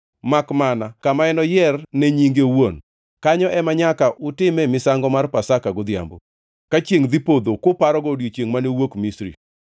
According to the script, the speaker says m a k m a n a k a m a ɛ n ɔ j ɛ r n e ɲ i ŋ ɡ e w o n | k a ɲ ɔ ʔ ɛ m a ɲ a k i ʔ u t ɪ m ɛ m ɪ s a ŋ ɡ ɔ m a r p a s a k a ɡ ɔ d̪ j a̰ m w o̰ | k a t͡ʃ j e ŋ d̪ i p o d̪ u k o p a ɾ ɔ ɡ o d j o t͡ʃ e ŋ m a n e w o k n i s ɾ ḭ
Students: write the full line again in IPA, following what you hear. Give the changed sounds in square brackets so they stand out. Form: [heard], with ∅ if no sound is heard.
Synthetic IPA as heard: m a k m a n a k a m a ɛ n ɔ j ɛ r n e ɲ i ŋ ɡ e w o n | k a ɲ ɔ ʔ ɛ m a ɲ a k [a] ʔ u t ɪ m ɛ m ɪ s a ŋ ɡ ɔ m a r p a s a k a ɡ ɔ d̪ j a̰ m [b] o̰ | k a t͡ʃ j e ŋ d̪ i p o d̪ [o] k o p a ɾ ɔ ɡ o d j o t͡ʃ e ŋ m a n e w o k [m] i s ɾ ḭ